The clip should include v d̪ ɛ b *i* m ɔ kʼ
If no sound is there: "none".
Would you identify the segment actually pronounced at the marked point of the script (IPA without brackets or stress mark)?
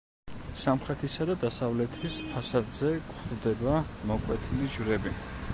a